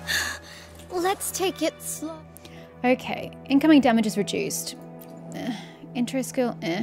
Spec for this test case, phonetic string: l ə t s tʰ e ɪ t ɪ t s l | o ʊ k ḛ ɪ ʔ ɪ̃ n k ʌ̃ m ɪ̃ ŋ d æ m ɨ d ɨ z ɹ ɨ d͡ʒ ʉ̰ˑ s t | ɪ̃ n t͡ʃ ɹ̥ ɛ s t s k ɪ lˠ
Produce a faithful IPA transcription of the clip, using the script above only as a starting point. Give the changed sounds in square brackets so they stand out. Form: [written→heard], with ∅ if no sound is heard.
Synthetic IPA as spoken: l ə t s tʰ e ɪ [t→k] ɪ t s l | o ʊ [k→kʰ] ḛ ɪ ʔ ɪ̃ n k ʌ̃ m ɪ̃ ŋ d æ m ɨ [d→d͡ʒ] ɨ z ɹ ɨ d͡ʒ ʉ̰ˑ s t | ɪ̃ n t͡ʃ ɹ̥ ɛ s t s k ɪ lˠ

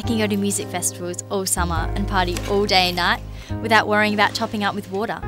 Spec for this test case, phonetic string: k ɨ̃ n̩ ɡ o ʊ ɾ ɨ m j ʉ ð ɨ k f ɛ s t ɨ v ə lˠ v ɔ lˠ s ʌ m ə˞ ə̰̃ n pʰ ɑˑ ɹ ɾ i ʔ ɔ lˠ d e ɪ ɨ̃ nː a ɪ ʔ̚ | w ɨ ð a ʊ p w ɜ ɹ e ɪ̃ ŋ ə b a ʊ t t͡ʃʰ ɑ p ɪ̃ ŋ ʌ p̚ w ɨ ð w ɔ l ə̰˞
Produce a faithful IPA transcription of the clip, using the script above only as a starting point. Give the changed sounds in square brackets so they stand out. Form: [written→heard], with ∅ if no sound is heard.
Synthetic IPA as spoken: k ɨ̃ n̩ ɡ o ʊ ɾ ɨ m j ʉ [ð→z] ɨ k f ɛ s t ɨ v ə lˠ [v→z] ɔ lˠ s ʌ m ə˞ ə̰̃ n pʰ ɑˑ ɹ ɾ i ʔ ɔ lˠ d e ɪ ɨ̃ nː a ɪ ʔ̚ | w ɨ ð a ʊ [p→ʔ] w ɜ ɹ [e→i] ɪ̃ ŋ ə b a ʊ t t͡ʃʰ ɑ p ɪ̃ ŋ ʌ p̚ w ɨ ð w ɔ [l→ɾ] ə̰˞

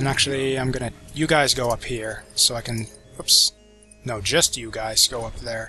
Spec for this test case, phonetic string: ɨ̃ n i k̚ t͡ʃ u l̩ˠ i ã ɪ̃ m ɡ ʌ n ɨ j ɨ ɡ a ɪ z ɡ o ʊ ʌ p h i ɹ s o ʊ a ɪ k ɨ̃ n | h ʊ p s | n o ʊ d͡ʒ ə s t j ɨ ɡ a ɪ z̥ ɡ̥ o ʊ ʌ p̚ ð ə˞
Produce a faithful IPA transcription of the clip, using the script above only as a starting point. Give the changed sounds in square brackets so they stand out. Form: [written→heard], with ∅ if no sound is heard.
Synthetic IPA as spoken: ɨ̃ n [i→æ] k̚ t͡ʃ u l̩ˠ i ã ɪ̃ m ɡ ʌ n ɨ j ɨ ɡ a ɪ z ɡ o ʊ ʌ p h i ɹ s o ʊ a ɪ k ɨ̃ n | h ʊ p s | n o ʊ d͡ʒ [ə→ʌ] s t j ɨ ɡ a ɪ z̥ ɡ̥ o ʊ ʌ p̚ ð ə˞

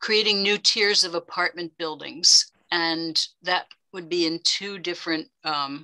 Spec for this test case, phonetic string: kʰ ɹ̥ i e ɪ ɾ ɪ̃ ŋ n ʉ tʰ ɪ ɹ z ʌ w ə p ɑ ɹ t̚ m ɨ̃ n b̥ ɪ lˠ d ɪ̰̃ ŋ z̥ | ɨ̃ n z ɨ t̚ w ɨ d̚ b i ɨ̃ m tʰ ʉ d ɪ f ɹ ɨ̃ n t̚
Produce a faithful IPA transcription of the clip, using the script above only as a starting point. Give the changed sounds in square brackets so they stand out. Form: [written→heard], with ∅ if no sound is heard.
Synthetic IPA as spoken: kʰ ɹ̥ i e ɪ ɾ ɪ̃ ŋ n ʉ tʰ ɪ ɹ z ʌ [w→v] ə [p→pʰ] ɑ ɹ t̚ m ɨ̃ n b̥ ɪ lˠ d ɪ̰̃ ŋ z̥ | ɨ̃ n [z→ð] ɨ t̚ w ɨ d̚ b i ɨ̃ [m→n] tʰ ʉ d ɪ f ɹ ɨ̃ n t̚

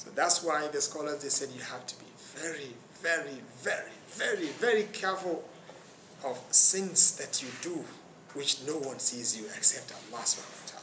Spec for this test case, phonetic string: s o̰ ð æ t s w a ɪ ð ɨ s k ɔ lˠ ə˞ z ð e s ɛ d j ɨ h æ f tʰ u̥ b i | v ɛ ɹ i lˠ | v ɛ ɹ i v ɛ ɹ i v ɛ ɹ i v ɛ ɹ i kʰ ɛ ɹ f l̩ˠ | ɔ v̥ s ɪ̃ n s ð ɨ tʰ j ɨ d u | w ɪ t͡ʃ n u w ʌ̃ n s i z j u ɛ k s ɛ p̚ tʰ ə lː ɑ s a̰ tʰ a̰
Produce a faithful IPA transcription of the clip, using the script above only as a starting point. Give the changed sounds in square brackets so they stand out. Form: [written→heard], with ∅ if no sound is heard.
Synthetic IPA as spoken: s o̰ ð æ t s w a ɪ ð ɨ s k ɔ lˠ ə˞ z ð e s ɛ d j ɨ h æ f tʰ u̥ b i | v ɛ ɹ i [lˠ→∅] | v ɛ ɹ i v ɛ ɹ i v ɛ ɹ i v ɛ ɹ i kʰ ɛ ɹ f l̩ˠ | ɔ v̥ s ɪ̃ n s ð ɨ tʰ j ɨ d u | w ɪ t͡ʃ n [u→o] w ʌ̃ n s i z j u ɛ k s ɛ p̚ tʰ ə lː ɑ s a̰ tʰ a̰

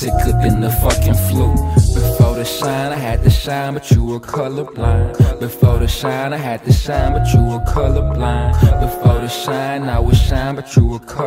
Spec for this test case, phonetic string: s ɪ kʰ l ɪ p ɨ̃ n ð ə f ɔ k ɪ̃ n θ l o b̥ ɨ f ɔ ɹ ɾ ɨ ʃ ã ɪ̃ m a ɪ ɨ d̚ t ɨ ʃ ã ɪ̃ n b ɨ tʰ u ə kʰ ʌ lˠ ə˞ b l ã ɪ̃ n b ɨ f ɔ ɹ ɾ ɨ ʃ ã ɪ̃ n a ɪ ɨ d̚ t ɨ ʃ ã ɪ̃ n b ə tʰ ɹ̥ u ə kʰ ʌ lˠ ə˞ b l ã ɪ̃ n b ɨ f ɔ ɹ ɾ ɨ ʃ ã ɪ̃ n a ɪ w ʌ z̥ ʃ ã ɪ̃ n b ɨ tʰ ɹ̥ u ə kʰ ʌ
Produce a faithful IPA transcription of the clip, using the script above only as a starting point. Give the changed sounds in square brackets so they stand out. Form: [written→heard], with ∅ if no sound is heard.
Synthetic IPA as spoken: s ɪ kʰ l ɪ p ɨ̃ n ð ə f [ɔ→ʌ] k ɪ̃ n [θ→f] l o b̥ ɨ f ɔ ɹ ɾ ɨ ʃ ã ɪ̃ [m→n] a ɪ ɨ d̚ t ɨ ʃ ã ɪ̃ n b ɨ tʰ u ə kʰ ʌ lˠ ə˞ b l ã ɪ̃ n b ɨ f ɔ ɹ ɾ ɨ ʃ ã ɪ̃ n a ɪ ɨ d̚ t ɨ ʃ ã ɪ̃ n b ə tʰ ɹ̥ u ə kʰ ʌ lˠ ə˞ b l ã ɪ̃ n b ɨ f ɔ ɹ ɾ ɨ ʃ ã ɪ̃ n a ɪ w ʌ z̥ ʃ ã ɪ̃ n b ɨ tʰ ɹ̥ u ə kʰ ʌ

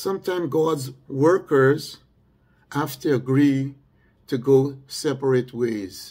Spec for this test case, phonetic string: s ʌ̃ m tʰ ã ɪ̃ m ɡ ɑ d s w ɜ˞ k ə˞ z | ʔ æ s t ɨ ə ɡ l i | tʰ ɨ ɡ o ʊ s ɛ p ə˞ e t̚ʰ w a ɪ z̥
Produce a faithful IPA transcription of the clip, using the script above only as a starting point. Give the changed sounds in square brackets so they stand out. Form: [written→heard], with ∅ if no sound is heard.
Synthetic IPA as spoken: s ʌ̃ m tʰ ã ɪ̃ m ɡ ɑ d [s→z] w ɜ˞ k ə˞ z | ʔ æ [s→f] t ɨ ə ɡ [l→ɹ] i | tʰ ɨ ɡ o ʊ s ɛ p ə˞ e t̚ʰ w [a→e] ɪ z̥

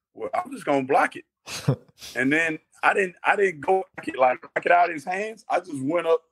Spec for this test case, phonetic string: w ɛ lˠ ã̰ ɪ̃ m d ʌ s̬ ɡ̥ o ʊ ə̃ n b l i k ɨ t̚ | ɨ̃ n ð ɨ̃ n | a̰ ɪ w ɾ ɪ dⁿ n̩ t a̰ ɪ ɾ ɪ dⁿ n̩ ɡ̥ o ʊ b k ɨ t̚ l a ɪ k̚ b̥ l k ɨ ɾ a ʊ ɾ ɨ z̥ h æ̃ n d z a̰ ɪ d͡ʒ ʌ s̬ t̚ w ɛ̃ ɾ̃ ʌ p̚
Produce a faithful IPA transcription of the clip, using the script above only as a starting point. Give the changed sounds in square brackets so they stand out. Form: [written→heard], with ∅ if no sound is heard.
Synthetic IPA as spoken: w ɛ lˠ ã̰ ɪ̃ m [d→d͡ʒ] ʌ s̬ ɡ̥ o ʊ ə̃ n b l [i→æ] k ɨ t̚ | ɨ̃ n ð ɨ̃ n | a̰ ɪ [w→∅] ɾ ɪ dⁿ n̩ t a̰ ɪ ɾ ɪ dⁿ n̩ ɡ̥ o ʊ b k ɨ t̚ l a ɪ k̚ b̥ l k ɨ ɾ a ʊ ɾ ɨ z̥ h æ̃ n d z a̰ ɪ d͡ʒ ʌ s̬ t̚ w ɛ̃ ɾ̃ ʌ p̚

